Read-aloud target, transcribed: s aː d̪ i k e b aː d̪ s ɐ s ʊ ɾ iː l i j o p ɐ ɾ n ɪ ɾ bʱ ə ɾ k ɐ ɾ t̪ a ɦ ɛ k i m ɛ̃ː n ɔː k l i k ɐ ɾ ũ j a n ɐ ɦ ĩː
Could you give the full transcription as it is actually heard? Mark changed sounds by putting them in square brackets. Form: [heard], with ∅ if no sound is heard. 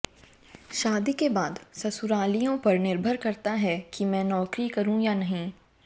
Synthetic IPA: [ʃ] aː d̪ i k e b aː d̪ s ɐ s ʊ ɾ [aː] l i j [õ] p ɐ ɾ n ɪ ɾ bʱ ə ɾ k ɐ ɾ t̪ a ɦ ɛ k i m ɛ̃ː n ɔː k [ɾ] i k ɐ ɾ ũ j a n ɐ ɦ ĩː